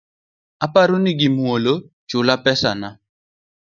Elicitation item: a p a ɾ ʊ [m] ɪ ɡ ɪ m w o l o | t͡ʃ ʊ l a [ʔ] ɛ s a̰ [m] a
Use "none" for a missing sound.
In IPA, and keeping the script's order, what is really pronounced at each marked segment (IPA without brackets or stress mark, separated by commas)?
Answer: n, p, n